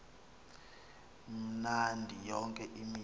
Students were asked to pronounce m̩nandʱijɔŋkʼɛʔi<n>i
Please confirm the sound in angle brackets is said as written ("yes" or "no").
no